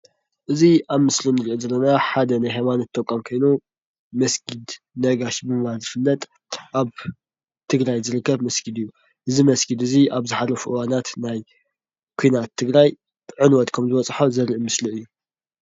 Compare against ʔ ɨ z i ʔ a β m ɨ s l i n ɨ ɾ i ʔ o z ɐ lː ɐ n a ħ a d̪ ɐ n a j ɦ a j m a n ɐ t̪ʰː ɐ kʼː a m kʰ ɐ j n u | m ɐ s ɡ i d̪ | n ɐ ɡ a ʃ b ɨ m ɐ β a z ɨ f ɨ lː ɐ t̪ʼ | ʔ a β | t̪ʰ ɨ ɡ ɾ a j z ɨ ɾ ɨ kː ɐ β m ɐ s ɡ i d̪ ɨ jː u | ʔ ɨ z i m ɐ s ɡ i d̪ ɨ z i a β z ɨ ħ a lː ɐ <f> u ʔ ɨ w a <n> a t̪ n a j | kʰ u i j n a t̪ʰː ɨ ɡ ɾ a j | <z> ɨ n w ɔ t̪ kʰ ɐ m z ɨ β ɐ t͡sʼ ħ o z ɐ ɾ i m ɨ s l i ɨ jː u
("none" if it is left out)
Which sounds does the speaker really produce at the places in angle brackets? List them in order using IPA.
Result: f, n, ʕ

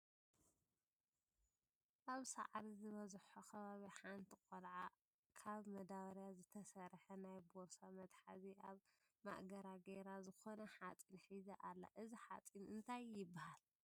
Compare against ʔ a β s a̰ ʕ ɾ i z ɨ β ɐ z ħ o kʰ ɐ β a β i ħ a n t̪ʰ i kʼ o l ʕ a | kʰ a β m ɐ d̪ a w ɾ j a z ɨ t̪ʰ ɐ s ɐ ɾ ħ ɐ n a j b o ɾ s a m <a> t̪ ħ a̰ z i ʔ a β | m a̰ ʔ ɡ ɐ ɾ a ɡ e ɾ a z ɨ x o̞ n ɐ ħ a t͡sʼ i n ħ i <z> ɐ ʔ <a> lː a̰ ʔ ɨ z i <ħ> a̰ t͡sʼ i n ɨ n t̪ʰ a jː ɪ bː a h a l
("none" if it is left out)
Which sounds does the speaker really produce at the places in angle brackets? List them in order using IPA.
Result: ɐ, z, a, ħ

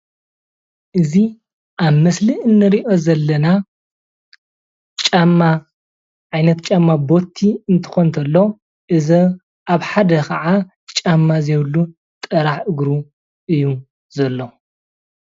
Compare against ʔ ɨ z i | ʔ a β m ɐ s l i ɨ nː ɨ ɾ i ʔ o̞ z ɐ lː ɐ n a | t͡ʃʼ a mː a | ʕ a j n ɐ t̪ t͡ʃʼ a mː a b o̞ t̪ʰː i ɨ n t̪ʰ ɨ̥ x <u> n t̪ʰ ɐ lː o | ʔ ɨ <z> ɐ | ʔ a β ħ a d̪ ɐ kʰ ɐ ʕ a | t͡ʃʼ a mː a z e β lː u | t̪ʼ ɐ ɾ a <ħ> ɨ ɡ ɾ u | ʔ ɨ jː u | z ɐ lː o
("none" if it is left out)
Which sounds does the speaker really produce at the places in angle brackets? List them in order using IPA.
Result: o, z, ħ

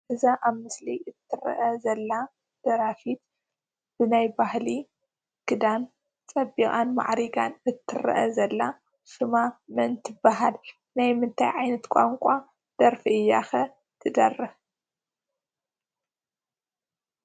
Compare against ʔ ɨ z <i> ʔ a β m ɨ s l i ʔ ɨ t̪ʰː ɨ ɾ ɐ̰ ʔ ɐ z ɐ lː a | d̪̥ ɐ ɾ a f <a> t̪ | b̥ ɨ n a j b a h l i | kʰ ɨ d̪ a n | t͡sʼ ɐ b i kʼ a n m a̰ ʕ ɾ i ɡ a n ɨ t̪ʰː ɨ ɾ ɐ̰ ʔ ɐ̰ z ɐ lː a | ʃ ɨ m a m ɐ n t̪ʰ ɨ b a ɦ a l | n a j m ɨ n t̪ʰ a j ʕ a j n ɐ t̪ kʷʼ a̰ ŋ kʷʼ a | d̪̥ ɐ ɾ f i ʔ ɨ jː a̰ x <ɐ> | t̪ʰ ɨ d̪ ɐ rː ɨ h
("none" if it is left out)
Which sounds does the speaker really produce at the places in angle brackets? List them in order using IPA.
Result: a, i, ɐ

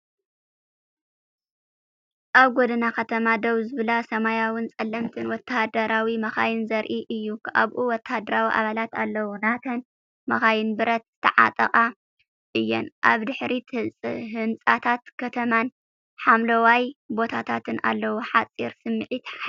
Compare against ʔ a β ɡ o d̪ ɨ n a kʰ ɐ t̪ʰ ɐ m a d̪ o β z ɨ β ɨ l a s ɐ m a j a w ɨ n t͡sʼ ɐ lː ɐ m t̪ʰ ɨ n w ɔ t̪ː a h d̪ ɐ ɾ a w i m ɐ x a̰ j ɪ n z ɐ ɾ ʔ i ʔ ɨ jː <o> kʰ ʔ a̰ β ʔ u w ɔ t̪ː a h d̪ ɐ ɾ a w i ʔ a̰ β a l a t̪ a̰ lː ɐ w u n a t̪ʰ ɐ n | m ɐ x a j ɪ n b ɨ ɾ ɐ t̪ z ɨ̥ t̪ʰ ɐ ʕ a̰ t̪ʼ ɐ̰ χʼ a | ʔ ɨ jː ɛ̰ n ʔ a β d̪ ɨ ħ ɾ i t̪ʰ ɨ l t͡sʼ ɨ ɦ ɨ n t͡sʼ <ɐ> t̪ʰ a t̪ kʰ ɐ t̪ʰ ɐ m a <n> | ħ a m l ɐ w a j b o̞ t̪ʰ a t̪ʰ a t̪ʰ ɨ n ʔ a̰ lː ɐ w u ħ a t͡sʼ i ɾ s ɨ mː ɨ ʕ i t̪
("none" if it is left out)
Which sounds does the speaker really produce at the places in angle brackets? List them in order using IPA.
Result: u, a, n

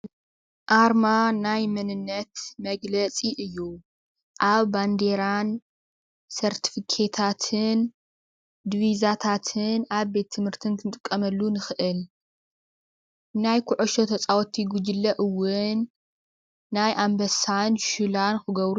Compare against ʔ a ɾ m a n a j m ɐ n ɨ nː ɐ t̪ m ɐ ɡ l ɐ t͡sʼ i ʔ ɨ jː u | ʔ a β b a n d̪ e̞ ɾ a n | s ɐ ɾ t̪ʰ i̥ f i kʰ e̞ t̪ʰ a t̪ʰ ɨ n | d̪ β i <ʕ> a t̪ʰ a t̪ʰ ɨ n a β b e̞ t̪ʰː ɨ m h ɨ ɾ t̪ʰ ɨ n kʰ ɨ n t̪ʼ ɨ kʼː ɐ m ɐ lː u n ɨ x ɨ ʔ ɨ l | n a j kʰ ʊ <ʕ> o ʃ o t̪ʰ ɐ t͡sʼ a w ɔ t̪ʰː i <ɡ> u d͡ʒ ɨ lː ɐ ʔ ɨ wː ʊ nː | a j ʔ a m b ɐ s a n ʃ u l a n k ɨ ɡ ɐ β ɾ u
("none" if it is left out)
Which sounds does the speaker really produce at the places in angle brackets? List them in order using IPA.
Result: z, ʕ, ɡ

